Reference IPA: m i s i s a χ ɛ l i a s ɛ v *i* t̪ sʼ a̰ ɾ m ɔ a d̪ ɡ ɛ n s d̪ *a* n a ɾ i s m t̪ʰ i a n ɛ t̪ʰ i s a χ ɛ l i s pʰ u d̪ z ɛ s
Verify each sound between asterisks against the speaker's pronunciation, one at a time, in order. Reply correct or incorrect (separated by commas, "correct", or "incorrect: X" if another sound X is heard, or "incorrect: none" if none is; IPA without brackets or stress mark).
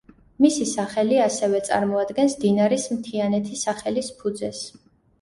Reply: incorrect: ɛ, incorrect: i